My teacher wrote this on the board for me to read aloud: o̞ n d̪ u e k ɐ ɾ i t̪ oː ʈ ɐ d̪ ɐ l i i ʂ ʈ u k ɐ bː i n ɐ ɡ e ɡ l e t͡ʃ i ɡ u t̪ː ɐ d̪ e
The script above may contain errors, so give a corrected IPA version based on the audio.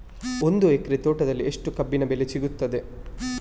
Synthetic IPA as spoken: o̞ n d̪ u e k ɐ ɾ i t̪ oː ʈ ɐ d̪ ɐ lː i e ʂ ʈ u k ɐ bː i n ɐ b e l e t͡ʃ i ɡ u t̪ː ɐ d̪ e